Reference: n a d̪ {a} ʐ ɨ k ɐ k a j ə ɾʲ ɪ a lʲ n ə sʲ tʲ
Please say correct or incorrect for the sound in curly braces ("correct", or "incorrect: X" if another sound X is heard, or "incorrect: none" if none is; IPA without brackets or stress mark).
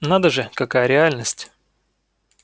incorrect: ə